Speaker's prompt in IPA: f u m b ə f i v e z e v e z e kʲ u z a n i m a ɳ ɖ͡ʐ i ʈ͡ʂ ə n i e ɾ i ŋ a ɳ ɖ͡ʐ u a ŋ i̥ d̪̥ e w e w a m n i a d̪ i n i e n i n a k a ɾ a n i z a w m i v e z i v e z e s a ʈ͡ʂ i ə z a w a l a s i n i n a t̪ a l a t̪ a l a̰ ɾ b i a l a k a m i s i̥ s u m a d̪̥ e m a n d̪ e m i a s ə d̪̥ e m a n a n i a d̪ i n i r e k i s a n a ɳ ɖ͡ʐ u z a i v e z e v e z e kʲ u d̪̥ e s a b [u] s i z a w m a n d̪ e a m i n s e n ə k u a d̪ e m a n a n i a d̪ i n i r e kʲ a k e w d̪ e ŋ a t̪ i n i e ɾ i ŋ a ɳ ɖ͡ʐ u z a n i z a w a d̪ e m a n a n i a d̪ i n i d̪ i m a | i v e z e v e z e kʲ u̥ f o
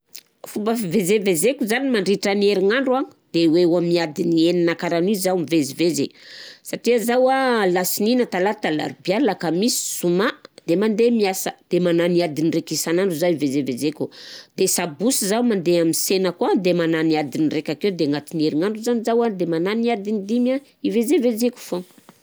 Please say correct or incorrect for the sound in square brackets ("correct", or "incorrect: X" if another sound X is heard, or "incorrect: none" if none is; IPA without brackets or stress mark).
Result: correct